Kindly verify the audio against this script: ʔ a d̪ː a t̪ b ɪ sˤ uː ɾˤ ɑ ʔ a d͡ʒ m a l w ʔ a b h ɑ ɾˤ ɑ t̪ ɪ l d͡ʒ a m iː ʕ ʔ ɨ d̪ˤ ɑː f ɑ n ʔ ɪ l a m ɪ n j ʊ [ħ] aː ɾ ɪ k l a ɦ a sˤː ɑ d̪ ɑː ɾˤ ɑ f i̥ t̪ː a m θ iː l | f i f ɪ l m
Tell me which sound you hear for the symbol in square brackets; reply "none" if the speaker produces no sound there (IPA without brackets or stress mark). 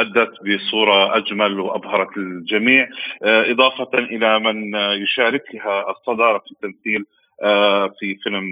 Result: ʃ